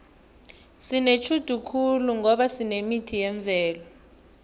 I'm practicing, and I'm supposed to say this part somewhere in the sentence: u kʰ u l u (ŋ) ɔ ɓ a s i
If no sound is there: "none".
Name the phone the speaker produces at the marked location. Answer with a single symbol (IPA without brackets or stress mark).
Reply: ŋ